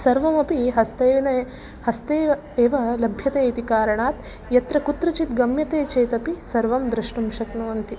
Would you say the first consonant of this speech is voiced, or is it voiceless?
voiceless